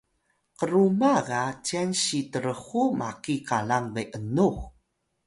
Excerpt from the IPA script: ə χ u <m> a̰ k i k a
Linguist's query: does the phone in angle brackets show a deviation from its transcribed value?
no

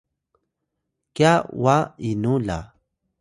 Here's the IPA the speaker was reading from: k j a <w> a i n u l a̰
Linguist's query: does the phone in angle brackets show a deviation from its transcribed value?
no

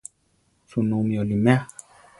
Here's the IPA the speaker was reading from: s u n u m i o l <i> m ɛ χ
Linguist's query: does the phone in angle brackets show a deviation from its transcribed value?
no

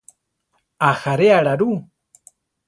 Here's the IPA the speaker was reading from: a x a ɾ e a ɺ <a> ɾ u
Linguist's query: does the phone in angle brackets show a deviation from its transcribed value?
no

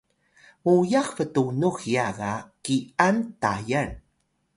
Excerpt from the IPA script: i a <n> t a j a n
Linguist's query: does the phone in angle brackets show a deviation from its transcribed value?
no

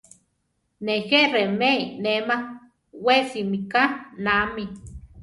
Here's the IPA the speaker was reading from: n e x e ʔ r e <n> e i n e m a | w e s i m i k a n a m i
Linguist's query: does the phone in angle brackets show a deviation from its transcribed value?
yes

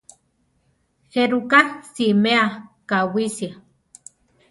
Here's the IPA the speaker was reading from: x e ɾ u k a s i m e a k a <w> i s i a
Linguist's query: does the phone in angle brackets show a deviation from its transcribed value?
no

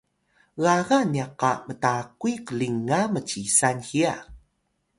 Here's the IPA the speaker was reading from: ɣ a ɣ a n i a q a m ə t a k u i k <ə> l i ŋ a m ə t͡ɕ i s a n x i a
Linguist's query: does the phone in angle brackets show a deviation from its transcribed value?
no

